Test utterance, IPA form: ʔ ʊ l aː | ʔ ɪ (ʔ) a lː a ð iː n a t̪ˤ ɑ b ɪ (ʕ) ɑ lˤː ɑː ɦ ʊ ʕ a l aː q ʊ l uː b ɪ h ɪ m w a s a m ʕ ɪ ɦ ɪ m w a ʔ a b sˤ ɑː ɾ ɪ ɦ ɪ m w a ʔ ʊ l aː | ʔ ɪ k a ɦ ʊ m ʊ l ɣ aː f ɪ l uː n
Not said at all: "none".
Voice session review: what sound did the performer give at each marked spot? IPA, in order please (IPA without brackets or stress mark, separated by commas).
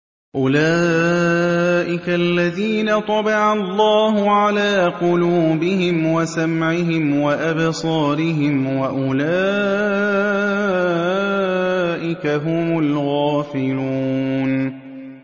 k, ʕ